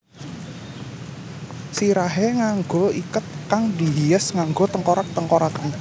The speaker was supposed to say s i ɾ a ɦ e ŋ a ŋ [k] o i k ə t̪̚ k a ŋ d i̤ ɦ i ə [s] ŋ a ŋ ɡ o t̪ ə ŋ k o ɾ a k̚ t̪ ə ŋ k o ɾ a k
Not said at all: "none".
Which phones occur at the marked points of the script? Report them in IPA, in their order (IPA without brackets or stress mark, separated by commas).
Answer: ɡ, s